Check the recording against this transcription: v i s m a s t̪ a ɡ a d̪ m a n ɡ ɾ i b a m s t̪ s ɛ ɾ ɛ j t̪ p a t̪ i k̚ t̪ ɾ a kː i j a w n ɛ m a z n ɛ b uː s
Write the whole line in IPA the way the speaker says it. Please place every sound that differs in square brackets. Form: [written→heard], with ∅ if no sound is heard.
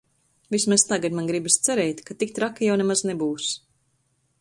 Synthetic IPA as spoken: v i s m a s t̪ a ɡ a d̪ m a n ɡ ɾ i b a [m→∅] s t̪ s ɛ ɾ ɛ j t̪ [p→k] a t̪ i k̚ t̪ ɾ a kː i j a w n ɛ m a z n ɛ b uː s